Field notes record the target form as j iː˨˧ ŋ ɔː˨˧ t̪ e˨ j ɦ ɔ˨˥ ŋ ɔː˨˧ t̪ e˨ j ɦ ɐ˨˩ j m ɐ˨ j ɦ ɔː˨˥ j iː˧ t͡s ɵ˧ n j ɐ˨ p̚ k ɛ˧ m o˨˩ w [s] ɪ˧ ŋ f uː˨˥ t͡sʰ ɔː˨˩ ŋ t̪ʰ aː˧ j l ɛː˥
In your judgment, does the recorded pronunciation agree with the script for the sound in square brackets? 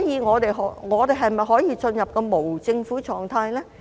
no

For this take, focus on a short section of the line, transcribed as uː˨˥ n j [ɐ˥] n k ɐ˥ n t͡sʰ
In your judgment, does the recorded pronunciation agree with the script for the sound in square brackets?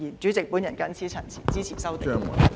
no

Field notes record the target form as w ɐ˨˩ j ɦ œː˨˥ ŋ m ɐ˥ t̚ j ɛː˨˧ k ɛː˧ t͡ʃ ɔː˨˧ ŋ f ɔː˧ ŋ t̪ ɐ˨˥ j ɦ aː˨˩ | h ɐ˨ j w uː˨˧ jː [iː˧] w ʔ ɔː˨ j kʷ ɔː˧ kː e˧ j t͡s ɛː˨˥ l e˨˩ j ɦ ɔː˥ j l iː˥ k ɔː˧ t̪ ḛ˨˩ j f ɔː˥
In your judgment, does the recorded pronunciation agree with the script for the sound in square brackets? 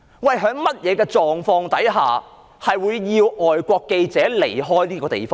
yes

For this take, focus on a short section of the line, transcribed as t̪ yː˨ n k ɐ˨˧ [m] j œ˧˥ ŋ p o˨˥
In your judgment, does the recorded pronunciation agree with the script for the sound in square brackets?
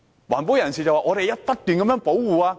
yes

